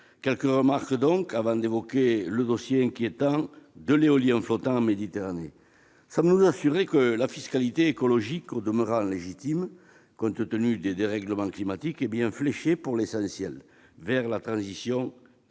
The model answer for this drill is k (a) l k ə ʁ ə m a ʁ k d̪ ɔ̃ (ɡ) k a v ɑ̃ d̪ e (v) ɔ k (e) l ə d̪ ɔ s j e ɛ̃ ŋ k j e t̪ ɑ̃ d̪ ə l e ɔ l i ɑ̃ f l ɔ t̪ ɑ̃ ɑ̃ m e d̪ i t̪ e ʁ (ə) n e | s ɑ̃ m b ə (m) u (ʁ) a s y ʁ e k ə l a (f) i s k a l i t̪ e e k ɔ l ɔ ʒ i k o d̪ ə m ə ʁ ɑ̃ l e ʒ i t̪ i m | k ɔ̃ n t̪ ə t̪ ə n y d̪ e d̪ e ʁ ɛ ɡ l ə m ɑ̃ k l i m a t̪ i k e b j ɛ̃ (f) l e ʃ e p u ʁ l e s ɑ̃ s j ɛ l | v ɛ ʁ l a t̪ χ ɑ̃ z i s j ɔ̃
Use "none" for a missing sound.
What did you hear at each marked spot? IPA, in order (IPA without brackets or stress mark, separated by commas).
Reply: ɛ, ŋ, v, e, a, n, z, f, f